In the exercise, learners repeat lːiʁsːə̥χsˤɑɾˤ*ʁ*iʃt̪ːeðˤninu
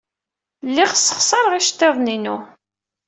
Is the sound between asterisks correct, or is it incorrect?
correct